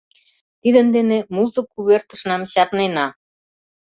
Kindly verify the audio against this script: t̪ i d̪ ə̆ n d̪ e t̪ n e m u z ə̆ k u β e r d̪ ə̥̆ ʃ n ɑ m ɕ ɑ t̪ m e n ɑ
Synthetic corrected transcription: t̪ i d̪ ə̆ n d̪ e n e m u z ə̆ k u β e r t̪ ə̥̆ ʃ n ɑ m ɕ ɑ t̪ n e n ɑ